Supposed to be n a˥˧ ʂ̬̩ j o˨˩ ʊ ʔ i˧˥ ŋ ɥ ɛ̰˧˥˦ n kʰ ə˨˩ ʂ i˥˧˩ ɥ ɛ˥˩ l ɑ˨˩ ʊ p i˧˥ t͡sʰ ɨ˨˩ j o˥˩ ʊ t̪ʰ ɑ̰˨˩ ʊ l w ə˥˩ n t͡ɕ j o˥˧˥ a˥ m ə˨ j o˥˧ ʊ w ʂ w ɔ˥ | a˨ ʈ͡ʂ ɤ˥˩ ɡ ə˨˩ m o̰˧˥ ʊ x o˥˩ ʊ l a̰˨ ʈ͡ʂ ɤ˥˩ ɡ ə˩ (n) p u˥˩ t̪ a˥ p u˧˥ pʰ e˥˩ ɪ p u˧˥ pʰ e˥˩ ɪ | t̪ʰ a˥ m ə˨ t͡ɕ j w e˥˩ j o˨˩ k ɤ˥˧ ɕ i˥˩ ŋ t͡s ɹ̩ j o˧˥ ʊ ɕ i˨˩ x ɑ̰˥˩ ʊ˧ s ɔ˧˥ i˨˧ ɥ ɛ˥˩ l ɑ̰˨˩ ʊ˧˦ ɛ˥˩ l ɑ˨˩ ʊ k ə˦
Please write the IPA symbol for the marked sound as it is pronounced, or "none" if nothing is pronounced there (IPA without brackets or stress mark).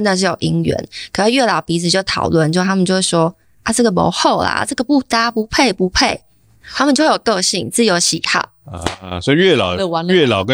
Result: none